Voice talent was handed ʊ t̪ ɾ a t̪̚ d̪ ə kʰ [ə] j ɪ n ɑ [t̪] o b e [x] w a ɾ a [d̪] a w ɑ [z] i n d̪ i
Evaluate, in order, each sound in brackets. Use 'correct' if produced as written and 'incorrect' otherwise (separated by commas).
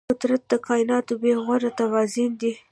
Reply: incorrect, correct, incorrect, incorrect, correct